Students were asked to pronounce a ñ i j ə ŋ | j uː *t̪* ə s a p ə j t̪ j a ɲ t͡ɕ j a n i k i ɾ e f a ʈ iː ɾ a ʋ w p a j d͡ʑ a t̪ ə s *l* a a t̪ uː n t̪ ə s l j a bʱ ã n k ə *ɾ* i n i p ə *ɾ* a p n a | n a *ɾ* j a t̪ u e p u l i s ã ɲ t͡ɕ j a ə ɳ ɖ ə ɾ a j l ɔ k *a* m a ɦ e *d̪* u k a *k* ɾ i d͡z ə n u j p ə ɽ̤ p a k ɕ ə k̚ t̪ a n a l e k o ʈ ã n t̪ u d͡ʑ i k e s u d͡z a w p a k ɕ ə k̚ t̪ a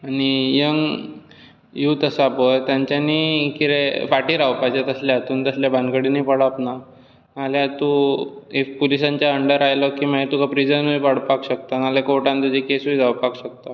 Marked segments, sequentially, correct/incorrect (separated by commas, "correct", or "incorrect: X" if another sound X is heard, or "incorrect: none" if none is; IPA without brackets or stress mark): correct, correct, incorrect: ɽ, incorrect: ɽ, incorrect: l, incorrect: i, incorrect: t̪, incorrect: p